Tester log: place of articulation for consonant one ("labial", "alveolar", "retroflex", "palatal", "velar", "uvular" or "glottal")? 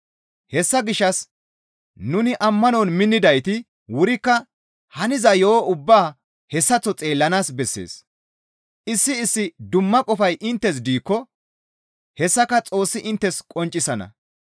glottal